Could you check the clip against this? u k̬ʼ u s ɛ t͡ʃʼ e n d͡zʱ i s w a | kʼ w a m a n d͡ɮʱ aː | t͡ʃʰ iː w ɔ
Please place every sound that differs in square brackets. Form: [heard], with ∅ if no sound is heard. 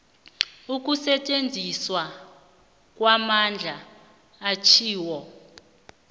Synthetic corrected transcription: u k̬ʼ u s ɛ t͡ʃʼ e n d͡zʱ i s w a | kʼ w a m a n d͡ɮʱ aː | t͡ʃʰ iː w ɔ